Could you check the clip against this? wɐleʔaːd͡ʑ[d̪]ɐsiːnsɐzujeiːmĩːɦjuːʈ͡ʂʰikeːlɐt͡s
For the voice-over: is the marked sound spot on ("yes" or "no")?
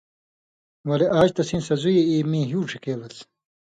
no